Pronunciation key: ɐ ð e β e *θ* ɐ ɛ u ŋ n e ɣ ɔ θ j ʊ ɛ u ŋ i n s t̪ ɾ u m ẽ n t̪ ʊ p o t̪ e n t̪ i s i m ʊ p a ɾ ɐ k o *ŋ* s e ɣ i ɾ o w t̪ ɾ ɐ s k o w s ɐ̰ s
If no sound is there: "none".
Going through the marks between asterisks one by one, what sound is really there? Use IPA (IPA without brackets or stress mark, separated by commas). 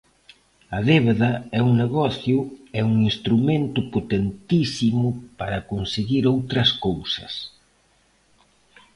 ð, n